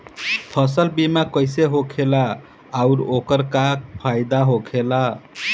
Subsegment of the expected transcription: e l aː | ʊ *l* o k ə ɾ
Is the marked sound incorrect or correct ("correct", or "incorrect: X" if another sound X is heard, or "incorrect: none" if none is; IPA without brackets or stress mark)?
incorrect: ɾ